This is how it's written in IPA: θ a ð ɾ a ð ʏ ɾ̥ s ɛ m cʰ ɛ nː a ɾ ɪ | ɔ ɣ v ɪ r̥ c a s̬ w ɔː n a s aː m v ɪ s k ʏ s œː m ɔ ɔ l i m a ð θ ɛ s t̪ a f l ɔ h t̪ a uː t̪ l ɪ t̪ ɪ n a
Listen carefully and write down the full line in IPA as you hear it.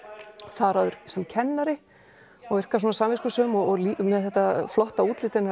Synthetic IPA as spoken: θ a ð ɾ a ð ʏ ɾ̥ s ɛ m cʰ ɛ nː a ɾ ɪ | ɔ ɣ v ɪ r̥ k a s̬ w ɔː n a s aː m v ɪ s k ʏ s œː m ɔ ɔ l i m ɛ ð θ ɛ h t̪ a f l ɔ h t̪ a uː t̪ l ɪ t̪ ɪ n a